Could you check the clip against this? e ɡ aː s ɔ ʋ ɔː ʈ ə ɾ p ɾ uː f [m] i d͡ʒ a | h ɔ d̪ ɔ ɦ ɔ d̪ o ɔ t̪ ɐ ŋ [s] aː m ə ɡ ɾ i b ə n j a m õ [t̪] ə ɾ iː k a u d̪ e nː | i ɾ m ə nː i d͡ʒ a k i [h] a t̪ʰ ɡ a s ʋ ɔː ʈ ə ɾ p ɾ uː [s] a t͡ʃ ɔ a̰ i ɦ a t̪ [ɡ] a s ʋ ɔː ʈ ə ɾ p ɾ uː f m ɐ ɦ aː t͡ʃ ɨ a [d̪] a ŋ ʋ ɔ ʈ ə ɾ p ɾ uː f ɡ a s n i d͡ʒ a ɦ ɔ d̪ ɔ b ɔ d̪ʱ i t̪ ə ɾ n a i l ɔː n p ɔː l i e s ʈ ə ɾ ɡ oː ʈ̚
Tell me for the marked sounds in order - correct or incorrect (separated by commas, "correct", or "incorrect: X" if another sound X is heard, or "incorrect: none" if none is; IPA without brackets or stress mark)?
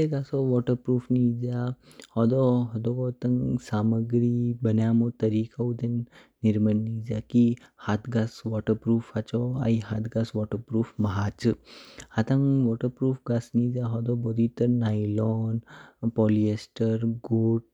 incorrect: n, correct, correct, correct, incorrect: f, correct, incorrect: t̪